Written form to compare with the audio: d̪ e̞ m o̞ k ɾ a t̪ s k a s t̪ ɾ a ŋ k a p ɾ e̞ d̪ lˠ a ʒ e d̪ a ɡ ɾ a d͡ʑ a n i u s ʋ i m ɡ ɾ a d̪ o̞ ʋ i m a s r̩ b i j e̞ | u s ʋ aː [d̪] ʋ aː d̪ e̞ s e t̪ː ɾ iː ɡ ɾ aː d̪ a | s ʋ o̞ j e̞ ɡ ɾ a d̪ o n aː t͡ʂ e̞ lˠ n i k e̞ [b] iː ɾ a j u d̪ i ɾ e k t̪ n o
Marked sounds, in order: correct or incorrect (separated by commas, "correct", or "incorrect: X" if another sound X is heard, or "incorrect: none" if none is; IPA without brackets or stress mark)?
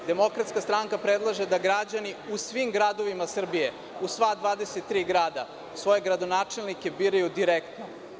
correct, correct